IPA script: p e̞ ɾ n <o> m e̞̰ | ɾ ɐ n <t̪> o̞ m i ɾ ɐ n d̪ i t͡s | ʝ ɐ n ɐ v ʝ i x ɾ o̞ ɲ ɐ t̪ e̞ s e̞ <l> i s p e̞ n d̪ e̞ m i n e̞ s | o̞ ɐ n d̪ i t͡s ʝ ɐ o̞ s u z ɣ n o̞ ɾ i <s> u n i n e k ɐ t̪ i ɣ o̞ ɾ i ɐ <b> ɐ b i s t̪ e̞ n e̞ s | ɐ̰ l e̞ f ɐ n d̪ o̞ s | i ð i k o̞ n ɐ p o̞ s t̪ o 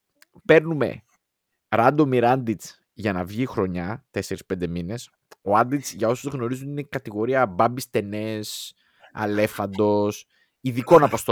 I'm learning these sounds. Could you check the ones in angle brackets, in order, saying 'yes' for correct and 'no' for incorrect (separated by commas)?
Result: no, no, no, no, yes